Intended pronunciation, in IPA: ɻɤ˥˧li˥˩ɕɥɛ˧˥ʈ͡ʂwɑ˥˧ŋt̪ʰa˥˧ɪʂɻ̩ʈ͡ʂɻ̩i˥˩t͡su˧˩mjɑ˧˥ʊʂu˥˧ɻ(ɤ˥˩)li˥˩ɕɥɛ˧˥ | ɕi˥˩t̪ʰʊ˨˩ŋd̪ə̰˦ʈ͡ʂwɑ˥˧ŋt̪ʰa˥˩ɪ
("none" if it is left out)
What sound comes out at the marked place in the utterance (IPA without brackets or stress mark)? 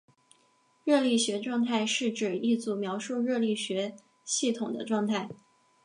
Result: ɤ˥˧